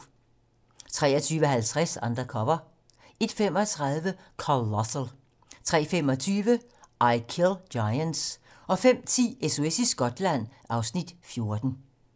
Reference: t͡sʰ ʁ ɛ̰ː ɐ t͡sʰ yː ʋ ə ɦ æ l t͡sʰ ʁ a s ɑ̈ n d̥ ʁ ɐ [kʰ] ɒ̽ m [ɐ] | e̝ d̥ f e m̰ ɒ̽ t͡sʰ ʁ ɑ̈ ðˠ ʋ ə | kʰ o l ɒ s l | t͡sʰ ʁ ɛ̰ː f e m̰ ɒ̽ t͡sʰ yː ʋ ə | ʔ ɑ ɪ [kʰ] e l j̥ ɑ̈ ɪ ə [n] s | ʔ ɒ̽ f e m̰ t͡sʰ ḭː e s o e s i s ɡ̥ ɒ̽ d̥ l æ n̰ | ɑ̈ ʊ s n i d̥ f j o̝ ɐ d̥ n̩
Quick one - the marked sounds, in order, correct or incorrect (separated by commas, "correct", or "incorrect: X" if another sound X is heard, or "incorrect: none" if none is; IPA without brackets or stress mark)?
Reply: correct, correct, correct, correct